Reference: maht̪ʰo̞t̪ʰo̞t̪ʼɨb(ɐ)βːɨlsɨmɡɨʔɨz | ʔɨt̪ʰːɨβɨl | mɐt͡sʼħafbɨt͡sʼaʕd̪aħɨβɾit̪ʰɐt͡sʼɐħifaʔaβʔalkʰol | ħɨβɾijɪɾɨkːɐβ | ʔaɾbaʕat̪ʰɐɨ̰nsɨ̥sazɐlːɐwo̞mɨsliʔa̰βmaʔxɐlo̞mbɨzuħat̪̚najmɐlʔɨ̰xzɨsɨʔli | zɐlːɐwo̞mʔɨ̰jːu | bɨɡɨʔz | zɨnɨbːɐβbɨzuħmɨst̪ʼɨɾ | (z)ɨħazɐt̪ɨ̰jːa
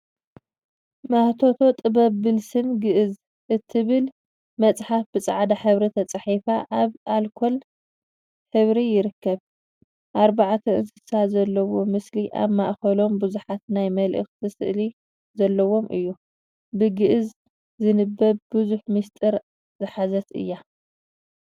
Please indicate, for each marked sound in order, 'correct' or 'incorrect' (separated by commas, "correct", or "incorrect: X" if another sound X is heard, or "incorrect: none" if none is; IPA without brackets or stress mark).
correct, correct